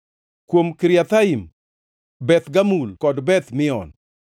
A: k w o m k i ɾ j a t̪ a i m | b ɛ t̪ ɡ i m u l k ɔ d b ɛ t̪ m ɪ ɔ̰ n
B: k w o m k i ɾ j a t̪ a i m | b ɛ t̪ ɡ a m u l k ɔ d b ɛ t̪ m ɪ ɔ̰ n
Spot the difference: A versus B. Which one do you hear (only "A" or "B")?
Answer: B